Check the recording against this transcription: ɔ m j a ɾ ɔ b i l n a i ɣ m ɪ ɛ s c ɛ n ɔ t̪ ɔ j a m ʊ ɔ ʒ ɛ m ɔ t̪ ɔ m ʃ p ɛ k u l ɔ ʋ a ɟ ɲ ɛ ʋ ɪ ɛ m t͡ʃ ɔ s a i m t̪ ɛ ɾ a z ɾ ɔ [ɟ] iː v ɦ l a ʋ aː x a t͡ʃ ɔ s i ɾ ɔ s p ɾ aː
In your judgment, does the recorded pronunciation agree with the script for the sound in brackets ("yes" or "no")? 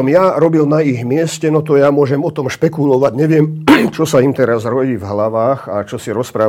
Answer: yes